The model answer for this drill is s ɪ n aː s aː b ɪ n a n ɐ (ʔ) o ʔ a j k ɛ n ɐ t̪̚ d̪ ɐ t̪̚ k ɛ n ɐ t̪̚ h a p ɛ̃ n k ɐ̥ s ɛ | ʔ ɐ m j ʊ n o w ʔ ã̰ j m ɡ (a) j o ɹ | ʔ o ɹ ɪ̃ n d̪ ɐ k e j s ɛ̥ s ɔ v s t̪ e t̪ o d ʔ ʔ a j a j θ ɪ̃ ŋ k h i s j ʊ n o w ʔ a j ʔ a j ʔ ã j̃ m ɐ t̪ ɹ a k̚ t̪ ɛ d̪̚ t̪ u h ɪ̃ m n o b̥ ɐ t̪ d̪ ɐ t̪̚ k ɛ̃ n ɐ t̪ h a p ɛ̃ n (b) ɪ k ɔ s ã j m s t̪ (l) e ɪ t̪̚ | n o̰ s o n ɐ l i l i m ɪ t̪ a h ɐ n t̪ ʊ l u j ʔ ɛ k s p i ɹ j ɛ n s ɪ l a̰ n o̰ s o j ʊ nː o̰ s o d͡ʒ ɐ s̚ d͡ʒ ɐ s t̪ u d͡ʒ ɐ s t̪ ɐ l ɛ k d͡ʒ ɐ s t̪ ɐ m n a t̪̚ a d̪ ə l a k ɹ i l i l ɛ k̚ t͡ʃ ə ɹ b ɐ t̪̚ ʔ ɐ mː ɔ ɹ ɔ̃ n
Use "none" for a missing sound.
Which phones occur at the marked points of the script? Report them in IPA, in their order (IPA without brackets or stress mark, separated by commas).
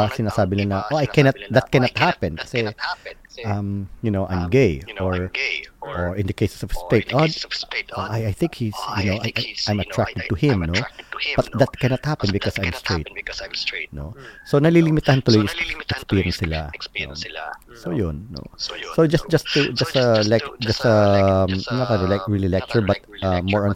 ʔ, e, b, ɹ